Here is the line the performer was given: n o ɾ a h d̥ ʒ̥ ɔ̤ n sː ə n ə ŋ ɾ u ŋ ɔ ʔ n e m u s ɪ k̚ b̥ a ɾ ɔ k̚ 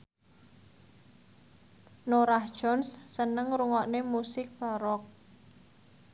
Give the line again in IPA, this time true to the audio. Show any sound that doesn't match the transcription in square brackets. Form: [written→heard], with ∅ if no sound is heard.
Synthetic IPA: n o ɾ a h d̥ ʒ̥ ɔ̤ n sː ə n ə ŋ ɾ u ŋ ɔ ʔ n e m u s ɪ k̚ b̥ a ɾ ɔ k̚